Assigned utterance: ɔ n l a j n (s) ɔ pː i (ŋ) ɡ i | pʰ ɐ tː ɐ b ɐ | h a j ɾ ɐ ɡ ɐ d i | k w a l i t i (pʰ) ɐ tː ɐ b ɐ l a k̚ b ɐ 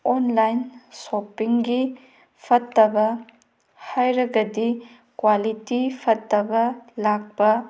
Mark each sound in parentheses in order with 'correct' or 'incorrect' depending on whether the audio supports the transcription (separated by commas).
correct, correct, correct